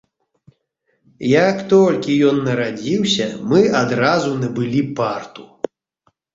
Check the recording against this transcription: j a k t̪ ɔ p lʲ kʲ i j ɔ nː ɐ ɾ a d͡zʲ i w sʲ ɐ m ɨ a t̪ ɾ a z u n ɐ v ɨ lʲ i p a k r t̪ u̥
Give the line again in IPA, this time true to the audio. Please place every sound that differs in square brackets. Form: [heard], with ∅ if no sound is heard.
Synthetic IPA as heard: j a k t̪ ɔ [∅] lʲ kʲ i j ɔ nː ɐ ɾ a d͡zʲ i w sʲ ɐ m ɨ a [d̪] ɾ a z u n ɐ [b] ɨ lʲ i p a [∅] r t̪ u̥